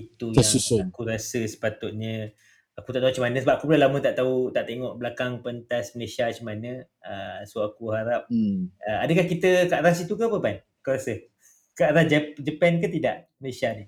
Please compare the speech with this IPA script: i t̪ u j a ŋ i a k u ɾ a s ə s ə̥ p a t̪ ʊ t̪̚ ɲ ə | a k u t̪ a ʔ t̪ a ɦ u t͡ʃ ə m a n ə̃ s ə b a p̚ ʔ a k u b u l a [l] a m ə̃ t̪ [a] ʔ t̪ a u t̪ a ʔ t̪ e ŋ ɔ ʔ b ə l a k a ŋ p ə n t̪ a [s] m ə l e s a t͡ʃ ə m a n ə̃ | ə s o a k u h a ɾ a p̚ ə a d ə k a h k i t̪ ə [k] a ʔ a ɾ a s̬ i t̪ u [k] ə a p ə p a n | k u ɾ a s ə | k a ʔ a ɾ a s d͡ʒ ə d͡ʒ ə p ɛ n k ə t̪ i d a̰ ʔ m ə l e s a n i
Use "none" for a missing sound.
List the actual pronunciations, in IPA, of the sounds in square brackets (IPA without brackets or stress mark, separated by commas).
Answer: l, a, s, k, k